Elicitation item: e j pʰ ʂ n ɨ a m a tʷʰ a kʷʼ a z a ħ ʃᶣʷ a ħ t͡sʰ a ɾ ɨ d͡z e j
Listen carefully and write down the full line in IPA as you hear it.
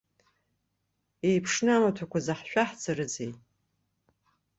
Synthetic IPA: e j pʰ ʂ n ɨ a m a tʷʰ a kʷ a z a ħ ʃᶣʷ a ħ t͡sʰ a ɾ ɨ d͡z e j